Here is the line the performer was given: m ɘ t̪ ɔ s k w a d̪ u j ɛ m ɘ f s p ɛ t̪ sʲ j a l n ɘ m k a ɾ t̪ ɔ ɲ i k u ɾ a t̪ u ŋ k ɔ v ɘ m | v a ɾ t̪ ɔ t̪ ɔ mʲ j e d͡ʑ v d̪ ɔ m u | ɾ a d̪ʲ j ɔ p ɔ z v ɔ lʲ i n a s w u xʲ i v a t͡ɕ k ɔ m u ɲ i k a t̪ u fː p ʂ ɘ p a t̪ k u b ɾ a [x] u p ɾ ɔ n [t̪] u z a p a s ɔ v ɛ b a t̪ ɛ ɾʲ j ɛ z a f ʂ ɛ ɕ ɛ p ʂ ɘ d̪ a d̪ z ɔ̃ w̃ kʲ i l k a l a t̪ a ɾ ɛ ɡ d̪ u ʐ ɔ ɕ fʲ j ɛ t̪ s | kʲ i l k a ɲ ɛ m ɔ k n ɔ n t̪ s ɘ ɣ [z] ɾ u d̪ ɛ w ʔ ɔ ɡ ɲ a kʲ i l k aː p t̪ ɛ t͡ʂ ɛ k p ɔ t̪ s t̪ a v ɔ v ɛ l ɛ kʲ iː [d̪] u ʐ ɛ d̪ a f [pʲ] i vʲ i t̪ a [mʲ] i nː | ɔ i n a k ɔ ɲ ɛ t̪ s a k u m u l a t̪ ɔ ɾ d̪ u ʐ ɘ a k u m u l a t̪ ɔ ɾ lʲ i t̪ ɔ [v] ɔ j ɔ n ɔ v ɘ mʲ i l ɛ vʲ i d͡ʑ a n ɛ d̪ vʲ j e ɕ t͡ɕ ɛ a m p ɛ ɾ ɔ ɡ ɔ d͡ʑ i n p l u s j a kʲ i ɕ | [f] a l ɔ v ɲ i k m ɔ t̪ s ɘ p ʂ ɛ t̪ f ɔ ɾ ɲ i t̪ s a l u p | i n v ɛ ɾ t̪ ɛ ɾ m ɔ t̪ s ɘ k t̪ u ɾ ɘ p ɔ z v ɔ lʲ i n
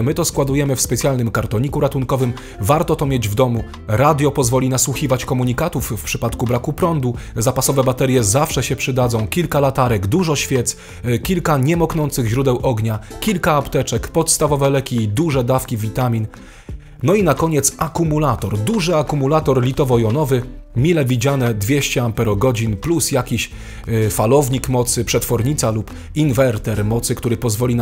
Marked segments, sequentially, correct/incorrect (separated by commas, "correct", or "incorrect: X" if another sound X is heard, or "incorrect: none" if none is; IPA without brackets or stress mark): incorrect: k, incorrect: d̪, incorrect: ʑ, correct, incorrect: kʲ, correct, correct, correct